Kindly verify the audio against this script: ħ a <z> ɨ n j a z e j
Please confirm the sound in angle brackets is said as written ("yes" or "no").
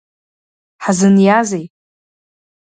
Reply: yes